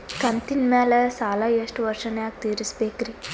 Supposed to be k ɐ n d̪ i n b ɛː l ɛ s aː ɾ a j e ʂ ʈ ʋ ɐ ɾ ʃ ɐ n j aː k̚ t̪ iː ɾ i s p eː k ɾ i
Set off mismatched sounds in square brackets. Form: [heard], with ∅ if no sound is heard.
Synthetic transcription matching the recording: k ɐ n [t̪] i n [m] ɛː l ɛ s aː [l] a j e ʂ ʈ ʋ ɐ ɾ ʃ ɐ n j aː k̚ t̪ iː ɾ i s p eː k ɾ i